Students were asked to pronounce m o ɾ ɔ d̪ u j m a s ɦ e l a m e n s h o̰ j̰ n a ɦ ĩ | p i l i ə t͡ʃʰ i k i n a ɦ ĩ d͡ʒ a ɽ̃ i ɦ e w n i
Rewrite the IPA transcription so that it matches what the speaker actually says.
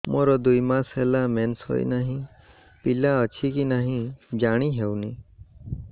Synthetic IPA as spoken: m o ɾ ɔ d̪ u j m a s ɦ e l a m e n s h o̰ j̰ n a ɦ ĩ | p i l a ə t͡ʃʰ i k i n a ɦ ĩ d͡ʒ a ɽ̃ i ɦ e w n i

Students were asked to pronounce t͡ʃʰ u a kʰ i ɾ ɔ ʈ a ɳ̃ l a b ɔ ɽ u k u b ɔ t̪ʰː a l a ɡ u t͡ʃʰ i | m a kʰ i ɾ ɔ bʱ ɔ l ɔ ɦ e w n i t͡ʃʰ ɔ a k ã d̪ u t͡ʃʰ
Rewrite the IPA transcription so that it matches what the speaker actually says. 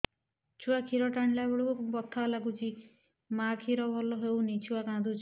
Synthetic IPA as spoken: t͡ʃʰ u a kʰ i ɾ ɔ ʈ a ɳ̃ l a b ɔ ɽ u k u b ɔ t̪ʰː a l a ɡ u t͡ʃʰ i | m a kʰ i ɾ ɔ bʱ ɔ l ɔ ɦ e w n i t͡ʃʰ u a k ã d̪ u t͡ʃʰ

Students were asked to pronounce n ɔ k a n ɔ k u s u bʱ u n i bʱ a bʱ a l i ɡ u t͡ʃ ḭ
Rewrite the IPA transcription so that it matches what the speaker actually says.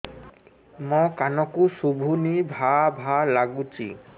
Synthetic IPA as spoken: m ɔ k a n ɔ k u s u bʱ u n i bʱ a bʱ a l a ɡ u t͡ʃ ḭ

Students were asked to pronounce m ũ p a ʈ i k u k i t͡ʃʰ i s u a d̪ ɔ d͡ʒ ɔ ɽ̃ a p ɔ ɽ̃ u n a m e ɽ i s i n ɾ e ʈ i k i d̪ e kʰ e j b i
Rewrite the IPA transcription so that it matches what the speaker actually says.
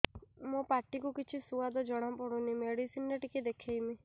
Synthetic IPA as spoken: m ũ p a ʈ i k u k i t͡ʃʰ i s u a d̪ ɔ d͡ʒ ɔ ɽ̃ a p ɔ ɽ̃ u n i m e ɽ i s i n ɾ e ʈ i k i d̪ e kʰ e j m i

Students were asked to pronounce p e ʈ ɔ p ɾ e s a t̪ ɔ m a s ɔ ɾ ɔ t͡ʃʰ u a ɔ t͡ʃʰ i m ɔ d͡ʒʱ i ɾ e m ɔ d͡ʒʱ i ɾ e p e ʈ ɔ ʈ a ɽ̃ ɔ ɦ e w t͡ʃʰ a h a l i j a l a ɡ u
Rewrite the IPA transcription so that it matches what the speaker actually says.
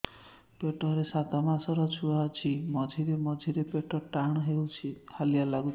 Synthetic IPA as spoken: p e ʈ ɔ ɾ e s a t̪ ɔ m a s ɔ ɾ ɔ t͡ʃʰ u a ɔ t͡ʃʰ i m ɔ d͡ʒʱ i ɾ e m ɔ d͡ʒʱ i ɾ e p e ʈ ɔ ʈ a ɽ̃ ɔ ɦ e w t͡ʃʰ i h a l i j a l a ɡ u

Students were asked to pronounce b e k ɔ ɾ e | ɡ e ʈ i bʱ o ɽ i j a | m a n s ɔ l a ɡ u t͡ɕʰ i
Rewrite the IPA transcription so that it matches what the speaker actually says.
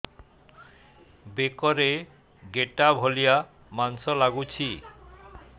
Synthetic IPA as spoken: b e k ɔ ɾ e | ɡ e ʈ a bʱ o l i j a | m a n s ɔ l a ɡ u t͡ɕʰ i

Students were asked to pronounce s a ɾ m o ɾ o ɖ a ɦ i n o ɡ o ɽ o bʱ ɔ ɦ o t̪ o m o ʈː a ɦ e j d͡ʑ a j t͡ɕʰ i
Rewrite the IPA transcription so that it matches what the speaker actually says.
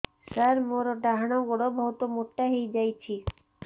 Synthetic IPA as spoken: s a ɾ m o ɾ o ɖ a ɦ a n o ɡ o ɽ o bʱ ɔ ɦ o t̪ o m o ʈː a ɦ e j d͡ʑ a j t͡ɕʰ i

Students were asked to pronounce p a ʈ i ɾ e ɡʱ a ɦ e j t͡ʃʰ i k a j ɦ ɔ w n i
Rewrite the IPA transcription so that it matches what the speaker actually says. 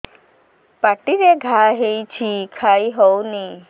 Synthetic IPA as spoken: p a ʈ i ɾ e ɡʱ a ɦ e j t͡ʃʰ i kʰ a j ɦ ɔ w n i

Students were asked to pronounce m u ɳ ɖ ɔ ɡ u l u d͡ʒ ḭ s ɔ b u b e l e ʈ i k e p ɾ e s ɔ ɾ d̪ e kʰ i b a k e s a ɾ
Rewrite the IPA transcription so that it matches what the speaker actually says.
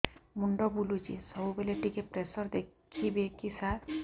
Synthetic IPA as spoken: m u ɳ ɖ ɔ b u l u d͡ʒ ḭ s ɔ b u b e l e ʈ i k e p ɾ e s ɔ ɾ d̪ e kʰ i b e k i s a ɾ

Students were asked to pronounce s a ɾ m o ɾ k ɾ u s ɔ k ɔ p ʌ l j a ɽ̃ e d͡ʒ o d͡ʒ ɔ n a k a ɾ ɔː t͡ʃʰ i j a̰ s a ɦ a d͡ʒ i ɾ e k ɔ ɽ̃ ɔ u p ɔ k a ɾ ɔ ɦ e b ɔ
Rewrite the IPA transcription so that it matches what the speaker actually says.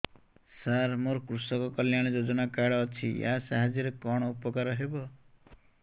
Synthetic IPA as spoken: s a ɾ m o ɾ k ɾ u s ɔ k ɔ k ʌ l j a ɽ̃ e d͡ʒ o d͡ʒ ɔ n a k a ɽ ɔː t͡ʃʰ i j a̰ s a ɦ a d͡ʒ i ɾ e k ɔ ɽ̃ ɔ u p ɔ k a ɾ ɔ ɦ e b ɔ

